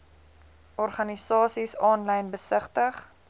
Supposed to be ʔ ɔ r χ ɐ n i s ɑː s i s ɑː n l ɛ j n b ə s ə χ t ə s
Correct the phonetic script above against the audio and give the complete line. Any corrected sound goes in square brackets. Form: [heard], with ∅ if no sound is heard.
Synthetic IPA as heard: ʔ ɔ r χ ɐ n i s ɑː s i s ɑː n l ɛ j n b ə s ə χ t ə [χ]